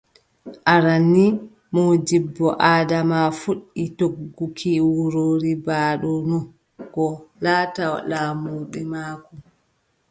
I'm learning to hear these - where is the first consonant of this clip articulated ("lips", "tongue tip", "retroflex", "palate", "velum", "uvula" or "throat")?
throat